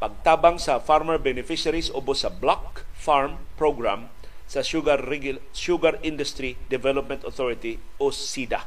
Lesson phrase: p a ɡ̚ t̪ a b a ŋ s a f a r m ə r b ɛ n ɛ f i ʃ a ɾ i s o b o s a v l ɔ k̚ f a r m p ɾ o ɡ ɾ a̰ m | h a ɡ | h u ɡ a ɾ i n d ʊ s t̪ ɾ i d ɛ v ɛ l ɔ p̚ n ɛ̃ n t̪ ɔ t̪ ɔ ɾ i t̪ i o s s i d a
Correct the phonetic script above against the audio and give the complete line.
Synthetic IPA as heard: p a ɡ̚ t̪ a b a ŋ s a f a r m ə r b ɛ n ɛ f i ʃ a ɾ i s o b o s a b l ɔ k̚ f a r m p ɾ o ɡ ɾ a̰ m | s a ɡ | ʃ u ɡ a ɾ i n d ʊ s t̪ ɾ i d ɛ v ɛ l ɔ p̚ m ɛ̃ n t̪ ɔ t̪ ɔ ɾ i t̪ i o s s i d a